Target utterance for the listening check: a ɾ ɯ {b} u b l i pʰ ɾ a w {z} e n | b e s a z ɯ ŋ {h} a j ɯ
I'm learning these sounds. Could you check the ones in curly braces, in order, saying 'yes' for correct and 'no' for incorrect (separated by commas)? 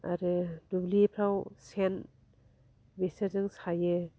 no, no, no